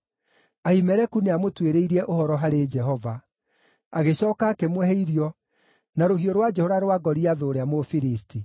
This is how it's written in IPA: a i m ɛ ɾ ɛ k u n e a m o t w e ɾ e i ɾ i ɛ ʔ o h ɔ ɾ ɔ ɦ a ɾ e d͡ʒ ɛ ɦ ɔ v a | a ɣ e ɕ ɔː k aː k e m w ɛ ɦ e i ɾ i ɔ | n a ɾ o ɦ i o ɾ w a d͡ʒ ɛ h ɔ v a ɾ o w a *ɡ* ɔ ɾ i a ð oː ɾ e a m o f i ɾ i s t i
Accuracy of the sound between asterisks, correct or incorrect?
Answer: correct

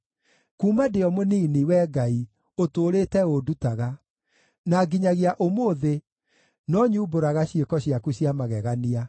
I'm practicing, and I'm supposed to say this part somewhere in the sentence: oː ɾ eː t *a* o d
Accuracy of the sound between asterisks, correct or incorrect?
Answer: incorrect: ɛ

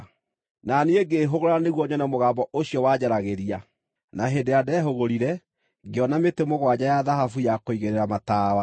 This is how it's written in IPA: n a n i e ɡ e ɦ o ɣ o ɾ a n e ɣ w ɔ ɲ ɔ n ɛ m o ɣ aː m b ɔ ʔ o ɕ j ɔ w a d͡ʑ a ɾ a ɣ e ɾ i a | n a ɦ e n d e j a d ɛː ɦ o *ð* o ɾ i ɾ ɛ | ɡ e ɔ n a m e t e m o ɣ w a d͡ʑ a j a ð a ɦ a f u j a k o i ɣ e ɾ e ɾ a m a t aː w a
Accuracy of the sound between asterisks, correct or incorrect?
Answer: incorrect: ɣ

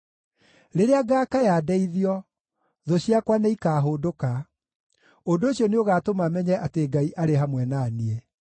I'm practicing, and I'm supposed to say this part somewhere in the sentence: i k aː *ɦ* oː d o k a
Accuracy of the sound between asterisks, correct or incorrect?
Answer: correct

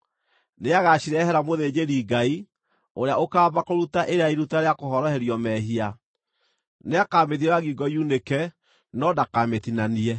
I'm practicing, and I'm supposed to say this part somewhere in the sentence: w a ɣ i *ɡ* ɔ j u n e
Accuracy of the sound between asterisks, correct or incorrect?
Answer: correct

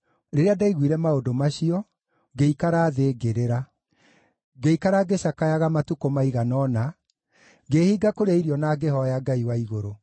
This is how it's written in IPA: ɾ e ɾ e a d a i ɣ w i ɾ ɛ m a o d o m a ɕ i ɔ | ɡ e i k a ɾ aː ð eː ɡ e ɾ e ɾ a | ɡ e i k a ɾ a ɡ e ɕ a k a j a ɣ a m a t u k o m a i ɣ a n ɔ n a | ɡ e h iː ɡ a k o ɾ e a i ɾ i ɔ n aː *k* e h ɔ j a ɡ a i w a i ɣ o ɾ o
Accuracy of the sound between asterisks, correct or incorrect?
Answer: incorrect: ɡ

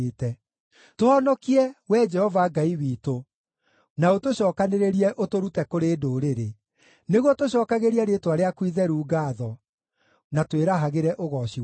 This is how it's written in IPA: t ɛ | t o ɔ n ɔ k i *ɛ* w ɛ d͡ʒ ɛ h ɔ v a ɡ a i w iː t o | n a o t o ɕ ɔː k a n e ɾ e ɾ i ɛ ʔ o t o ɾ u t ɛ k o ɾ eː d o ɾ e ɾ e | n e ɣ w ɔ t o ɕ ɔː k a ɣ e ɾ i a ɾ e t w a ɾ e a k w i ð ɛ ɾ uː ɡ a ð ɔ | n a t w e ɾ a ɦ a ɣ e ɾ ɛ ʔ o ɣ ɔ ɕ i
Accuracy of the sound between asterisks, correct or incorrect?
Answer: correct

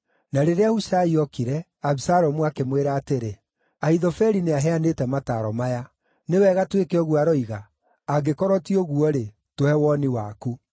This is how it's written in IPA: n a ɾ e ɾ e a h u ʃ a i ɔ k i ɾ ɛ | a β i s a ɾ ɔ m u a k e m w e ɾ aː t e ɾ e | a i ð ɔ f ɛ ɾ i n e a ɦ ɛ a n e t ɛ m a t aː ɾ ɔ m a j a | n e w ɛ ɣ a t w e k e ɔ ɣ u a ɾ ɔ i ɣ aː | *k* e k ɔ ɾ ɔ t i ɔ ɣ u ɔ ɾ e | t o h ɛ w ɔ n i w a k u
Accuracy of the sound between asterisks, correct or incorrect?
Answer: incorrect: ɡ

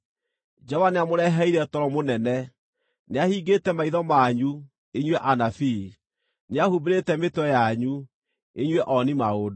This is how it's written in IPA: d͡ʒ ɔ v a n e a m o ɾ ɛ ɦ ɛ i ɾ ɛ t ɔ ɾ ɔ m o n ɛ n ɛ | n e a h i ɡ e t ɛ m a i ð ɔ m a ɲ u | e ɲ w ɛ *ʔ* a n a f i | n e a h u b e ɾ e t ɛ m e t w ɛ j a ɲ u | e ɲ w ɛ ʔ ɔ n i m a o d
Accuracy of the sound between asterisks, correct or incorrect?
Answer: correct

